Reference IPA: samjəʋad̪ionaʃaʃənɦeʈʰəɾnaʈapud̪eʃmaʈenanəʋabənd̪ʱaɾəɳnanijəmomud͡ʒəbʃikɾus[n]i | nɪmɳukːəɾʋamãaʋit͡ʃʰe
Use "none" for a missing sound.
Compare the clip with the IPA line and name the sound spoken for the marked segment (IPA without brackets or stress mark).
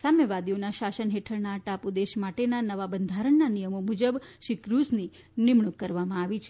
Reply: n